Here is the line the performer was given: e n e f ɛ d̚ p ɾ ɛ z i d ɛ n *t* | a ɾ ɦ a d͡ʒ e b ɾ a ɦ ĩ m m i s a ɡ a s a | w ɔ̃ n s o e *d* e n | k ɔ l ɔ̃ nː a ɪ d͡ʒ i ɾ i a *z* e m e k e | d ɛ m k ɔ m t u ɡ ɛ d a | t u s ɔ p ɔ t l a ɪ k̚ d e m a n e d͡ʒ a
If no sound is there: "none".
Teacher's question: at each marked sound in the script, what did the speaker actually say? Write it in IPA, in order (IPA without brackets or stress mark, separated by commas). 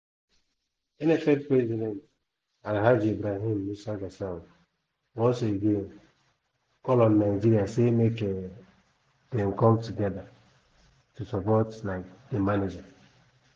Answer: t, ɡ, s